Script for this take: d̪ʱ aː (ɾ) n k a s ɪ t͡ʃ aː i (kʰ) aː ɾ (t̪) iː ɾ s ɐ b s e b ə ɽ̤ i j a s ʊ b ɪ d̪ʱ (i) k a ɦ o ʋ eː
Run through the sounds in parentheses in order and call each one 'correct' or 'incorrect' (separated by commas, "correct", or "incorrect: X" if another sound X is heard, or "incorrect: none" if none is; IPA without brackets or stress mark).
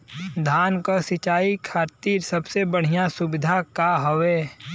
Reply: incorrect: none, correct, correct, incorrect: a